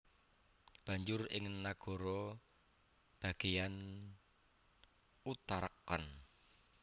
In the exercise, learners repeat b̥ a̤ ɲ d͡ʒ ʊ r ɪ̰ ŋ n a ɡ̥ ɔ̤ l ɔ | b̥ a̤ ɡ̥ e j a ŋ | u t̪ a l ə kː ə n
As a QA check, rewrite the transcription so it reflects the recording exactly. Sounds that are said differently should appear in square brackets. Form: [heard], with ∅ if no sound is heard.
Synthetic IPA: b̥ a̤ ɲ d͡ʒ ʊ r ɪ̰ ŋ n a ɡ̥ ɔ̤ [ɾ] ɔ | b̥ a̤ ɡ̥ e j a [n] | u t̪ a [ɾ] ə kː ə n